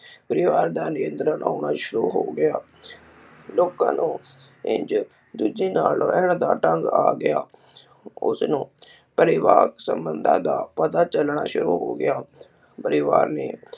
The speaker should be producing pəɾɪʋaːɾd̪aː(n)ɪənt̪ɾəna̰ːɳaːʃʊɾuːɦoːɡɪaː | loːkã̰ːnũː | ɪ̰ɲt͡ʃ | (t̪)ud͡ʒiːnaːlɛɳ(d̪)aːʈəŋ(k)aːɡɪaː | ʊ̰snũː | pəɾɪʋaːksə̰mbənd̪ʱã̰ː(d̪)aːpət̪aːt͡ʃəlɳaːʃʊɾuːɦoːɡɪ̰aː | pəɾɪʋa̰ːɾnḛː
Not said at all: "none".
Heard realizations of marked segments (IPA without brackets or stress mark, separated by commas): n, d̪, d̪, ɡ, d̪